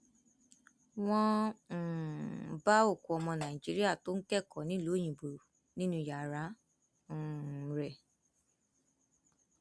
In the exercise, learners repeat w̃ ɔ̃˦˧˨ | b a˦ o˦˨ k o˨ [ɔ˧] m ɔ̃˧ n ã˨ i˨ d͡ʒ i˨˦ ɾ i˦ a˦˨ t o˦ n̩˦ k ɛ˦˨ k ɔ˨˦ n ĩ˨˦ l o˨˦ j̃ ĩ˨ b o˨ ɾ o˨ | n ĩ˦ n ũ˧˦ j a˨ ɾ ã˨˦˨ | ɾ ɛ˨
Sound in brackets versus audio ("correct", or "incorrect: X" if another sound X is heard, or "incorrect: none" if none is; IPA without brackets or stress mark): correct